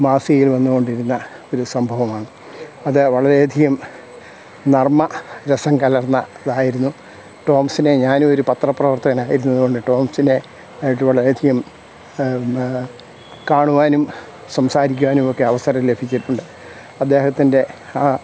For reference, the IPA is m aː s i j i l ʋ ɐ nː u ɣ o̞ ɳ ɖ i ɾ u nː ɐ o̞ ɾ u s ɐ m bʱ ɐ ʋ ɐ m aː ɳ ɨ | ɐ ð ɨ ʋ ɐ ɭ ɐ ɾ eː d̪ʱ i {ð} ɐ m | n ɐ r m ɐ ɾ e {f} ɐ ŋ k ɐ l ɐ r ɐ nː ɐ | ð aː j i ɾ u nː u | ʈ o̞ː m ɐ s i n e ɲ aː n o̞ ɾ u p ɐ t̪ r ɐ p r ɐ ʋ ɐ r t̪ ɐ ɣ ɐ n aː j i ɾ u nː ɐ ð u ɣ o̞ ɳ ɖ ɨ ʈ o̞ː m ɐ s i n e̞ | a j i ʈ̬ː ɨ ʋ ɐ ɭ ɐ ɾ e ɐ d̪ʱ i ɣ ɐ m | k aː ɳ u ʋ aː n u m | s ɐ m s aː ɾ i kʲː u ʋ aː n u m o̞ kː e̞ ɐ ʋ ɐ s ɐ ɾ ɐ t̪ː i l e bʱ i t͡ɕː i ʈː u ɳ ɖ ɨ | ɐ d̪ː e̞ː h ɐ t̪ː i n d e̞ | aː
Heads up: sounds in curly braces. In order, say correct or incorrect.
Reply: incorrect, incorrect

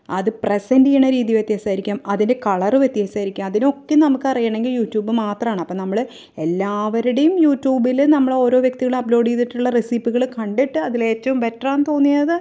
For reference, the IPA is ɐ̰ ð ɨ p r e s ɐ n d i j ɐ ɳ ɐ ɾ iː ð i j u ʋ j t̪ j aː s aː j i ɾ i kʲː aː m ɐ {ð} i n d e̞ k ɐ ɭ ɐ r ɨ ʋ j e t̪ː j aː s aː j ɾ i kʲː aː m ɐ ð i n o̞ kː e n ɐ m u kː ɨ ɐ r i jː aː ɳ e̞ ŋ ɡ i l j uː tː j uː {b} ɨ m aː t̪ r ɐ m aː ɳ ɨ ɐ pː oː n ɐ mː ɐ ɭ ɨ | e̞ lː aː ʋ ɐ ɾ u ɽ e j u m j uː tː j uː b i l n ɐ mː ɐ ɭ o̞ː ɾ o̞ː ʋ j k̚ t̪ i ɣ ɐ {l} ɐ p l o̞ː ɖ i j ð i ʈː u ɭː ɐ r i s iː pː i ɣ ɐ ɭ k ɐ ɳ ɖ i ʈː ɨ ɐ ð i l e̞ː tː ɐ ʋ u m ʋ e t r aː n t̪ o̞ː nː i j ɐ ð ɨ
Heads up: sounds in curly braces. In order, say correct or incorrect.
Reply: correct, correct, incorrect

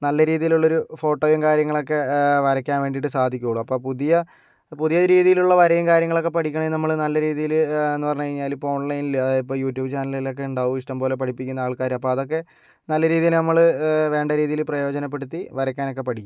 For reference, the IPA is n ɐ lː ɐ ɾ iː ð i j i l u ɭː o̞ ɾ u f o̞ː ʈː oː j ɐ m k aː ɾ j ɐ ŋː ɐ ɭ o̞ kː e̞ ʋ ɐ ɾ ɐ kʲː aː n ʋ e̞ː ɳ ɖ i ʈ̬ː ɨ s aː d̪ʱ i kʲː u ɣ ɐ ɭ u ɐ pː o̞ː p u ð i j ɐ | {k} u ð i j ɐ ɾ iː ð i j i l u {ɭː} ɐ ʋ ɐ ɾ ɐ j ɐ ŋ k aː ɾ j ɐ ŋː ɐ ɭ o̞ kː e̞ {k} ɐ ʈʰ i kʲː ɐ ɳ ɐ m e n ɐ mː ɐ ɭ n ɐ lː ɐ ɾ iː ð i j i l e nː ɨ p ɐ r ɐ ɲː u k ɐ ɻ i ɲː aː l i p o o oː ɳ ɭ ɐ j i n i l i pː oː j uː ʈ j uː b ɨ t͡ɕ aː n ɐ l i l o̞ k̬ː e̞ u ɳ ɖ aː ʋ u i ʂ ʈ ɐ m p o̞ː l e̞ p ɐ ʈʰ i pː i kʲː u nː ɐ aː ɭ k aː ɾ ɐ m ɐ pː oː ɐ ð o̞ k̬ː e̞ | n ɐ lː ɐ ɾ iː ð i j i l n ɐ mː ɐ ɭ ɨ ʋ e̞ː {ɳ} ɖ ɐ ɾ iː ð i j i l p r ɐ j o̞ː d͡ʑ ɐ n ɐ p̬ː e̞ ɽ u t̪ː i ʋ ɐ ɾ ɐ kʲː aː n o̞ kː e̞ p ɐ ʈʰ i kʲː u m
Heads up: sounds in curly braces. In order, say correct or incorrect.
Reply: incorrect, correct, incorrect, correct

